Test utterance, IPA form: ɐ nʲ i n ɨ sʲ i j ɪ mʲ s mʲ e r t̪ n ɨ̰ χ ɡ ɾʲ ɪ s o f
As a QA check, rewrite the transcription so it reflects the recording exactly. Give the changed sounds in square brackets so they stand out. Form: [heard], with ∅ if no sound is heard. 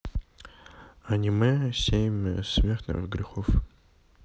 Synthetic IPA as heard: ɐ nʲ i [m] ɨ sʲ [e] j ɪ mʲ s mʲ e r t̪ n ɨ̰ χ ɡ ɾʲ ɪ [x] o f